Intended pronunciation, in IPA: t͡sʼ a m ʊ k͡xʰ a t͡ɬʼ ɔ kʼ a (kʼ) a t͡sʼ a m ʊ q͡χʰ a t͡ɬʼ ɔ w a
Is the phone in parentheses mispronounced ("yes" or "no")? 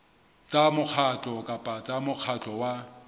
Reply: yes